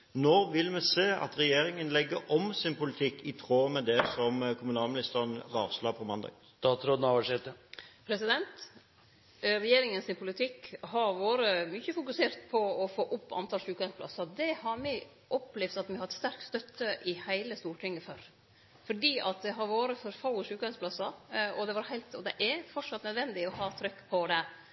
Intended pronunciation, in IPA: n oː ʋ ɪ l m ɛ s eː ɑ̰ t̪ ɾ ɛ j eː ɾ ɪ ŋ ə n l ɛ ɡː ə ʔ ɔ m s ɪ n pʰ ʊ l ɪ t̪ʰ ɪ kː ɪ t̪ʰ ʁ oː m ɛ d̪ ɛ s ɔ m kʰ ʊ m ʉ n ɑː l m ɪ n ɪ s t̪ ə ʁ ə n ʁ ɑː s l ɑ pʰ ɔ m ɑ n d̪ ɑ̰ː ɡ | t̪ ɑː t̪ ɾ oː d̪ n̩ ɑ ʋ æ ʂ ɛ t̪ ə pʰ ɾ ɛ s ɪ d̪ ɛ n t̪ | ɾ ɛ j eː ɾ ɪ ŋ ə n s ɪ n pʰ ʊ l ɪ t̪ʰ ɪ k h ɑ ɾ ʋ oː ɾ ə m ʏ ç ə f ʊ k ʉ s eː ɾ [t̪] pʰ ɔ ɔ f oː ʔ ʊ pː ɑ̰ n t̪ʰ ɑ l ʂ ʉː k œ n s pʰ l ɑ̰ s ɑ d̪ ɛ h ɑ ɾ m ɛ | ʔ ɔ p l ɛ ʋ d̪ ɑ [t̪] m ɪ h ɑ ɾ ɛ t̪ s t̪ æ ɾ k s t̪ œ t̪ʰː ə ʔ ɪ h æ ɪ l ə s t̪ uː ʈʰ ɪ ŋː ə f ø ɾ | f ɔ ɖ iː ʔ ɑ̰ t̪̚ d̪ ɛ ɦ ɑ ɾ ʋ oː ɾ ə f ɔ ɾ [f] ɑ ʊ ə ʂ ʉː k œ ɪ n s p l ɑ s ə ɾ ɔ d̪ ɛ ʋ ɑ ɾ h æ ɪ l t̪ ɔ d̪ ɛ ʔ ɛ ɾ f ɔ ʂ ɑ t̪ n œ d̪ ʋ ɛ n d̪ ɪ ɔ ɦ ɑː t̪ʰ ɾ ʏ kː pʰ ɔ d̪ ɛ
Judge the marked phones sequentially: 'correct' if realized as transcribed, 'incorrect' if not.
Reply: correct, correct, correct

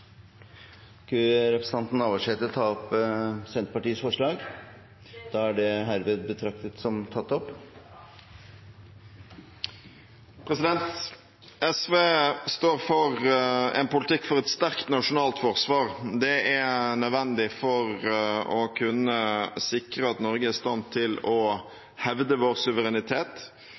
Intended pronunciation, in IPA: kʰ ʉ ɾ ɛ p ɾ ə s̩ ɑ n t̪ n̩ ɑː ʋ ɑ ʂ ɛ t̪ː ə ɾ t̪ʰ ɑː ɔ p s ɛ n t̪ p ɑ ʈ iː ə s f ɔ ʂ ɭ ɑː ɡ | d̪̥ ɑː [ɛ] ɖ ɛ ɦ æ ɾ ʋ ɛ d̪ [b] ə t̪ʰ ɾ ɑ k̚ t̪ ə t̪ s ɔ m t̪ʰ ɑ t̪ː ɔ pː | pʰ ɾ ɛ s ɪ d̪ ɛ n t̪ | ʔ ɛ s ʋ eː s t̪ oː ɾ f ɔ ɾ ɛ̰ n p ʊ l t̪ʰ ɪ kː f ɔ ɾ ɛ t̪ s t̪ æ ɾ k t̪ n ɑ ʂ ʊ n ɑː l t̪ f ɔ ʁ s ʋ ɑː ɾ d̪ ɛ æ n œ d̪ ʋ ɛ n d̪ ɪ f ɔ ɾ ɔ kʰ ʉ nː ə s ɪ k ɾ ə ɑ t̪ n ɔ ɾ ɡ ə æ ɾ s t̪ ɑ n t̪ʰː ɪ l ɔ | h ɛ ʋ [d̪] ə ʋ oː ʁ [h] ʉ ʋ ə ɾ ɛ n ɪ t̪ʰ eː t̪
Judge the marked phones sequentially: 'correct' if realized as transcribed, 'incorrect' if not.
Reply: incorrect: æ, correct, correct, incorrect: s

